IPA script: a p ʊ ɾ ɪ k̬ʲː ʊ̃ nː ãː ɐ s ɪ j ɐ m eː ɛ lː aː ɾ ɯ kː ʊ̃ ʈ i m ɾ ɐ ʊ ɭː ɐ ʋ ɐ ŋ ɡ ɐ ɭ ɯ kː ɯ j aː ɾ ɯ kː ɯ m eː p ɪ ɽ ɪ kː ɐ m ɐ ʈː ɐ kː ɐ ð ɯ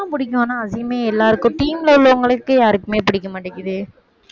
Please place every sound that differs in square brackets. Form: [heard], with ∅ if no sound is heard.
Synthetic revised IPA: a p ʊ [ɽ] ɪ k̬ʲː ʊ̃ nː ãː ɐ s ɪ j ɐ m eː ɛ lː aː ɾ ɯ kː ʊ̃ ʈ [iː] m [l] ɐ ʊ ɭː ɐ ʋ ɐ ŋ ɡ ɐ ɭ ɯ kː ɯ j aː ɾ ɯ kː ɯ m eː p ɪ ɽ ɪ kː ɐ m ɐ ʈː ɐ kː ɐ ð ɯ